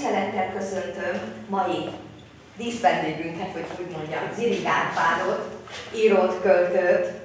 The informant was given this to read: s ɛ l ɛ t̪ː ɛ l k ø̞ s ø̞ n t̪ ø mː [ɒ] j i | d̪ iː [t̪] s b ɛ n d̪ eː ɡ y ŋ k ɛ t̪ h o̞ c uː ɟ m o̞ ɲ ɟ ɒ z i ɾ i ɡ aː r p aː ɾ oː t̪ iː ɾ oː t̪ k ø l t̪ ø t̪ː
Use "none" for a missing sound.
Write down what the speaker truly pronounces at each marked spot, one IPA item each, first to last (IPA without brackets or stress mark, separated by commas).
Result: ɒ, none